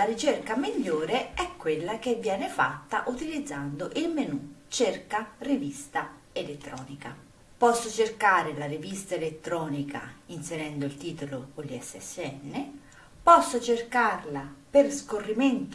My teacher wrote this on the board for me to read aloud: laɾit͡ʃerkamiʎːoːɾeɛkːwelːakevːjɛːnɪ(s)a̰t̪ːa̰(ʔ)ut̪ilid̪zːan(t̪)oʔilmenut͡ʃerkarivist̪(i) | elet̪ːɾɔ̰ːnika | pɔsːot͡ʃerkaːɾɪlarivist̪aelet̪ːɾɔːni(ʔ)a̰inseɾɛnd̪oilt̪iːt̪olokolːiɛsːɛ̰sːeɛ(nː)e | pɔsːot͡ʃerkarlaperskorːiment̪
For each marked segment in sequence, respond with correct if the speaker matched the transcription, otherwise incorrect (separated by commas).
incorrect, correct, incorrect, incorrect, incorrect, correct